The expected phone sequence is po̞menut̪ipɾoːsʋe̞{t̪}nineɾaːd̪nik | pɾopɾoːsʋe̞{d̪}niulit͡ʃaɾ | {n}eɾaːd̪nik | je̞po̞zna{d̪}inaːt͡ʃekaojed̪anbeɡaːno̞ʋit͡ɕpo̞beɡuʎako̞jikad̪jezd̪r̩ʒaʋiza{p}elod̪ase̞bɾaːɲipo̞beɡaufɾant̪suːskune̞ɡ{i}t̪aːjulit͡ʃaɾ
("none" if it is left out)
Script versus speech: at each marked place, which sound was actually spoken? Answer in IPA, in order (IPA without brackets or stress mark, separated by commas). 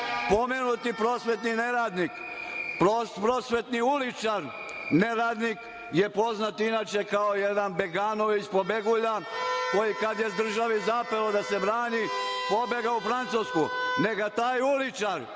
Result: t̪, t̪, n, t̪, p, a